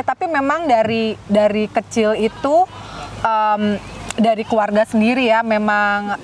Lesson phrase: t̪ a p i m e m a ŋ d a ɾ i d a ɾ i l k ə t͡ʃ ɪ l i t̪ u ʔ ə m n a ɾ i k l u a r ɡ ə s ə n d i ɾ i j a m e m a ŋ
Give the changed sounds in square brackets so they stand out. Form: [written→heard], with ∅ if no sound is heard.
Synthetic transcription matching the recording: t̪ a p i m e m a ŋ d a ɾ i d a ɾ i [l→∅] k ə t͡ʃ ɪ l i t̪ u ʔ ə m [n→d] a ɾ i k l u a r ɡ [ə→a] s ə n d i ɾ i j a m e m a ŋ